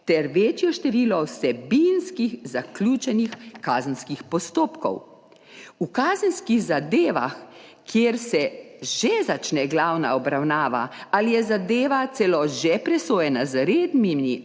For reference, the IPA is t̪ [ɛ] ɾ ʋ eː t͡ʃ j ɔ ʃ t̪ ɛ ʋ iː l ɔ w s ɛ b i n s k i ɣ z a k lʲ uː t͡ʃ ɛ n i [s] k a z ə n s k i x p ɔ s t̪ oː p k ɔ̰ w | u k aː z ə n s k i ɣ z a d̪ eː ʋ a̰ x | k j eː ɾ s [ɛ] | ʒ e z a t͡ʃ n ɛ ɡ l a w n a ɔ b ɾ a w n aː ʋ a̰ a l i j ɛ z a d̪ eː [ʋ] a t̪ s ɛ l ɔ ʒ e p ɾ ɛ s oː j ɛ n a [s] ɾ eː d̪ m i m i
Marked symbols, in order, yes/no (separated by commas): yes, no, yes, yes, no